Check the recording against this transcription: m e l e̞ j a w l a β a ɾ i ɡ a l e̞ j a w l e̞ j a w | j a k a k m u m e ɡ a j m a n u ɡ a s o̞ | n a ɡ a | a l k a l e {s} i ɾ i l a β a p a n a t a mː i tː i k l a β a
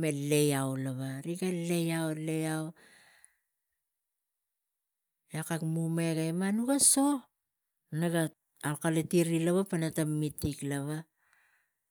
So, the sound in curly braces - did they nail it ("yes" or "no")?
no